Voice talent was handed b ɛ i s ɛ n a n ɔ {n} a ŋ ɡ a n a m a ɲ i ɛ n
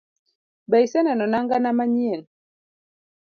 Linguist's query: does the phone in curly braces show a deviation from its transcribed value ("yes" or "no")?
no